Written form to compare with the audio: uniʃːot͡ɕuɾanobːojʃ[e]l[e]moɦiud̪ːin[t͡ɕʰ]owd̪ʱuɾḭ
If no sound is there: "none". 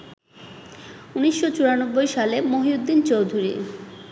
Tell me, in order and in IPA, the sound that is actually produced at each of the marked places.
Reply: a, e, t͡ɕ

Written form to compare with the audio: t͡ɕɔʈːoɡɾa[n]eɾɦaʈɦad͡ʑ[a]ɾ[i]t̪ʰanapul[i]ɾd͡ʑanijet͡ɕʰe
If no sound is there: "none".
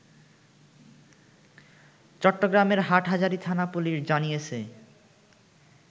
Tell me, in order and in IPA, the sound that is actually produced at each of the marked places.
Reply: m, a, i, i

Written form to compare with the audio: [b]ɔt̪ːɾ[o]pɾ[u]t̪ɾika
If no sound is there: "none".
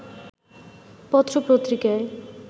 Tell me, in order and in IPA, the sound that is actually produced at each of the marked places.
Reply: p, o, o

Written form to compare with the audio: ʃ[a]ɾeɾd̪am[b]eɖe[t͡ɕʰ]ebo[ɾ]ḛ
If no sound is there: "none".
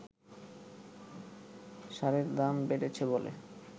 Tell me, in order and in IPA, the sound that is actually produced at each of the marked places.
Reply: a, b, t͡ɕʰ, l

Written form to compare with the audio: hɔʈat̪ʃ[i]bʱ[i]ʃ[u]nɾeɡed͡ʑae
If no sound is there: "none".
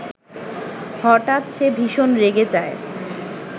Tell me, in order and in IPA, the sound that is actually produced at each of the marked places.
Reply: e, i, o

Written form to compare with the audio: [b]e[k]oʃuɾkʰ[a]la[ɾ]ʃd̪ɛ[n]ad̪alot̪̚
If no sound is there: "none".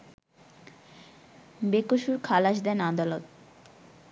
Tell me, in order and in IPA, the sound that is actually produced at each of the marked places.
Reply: b, k, a, none, n

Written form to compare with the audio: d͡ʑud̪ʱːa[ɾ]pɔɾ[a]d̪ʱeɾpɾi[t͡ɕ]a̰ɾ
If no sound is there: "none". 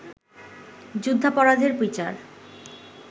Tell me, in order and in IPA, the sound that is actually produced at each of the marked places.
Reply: none, a, t͡ɕ

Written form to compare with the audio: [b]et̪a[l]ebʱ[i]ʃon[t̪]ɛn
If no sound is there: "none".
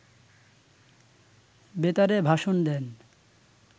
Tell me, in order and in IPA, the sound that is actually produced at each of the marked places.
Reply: b, ɾ, a, d̪

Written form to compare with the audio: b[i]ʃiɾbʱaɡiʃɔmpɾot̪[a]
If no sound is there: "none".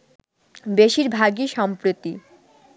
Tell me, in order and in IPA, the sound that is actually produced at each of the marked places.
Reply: e, i

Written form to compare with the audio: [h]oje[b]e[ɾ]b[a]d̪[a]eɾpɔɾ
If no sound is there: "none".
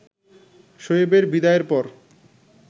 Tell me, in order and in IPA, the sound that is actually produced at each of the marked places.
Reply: ʃ, b, ɾ, i, a

